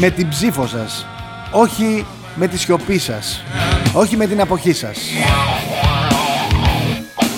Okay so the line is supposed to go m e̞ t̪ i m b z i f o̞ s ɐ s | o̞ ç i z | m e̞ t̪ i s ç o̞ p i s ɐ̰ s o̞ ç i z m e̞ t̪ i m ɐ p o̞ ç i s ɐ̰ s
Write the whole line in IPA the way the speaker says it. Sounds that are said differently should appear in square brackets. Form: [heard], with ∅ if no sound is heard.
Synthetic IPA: m e̞ t̪ i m b z i f o̞ s ɐ s | o̞ ç i [∅] | m e̞ t̪ i s ç o̞ p i s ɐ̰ s o̞ ç i [∅] m e̞ t̪ i [n] ɐ p o̞ ç i s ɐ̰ s